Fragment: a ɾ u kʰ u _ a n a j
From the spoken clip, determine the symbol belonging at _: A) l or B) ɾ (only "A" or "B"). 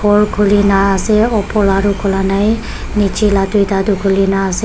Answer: A